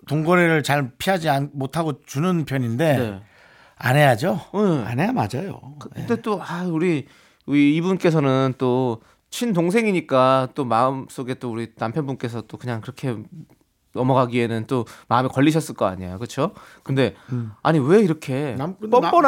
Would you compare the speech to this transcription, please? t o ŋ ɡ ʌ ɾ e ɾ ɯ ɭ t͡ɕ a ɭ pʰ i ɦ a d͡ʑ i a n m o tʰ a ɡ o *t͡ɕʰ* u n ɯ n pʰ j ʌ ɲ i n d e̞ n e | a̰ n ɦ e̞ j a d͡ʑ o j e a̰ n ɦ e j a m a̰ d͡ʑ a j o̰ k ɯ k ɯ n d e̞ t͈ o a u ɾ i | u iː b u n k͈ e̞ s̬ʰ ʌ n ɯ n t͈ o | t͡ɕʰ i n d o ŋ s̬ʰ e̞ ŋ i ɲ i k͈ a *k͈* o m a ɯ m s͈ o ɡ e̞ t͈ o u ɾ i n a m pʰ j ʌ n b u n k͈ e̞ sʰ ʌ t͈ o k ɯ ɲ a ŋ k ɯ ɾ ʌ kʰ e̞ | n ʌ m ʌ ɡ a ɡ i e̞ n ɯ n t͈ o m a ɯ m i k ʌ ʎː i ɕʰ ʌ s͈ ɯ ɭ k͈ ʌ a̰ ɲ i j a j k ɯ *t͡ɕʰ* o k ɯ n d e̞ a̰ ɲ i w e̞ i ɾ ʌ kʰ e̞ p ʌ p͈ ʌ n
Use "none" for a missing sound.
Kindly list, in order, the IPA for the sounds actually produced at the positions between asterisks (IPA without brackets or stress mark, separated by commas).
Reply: t͡ɕ, t͈, t͡ɕʰ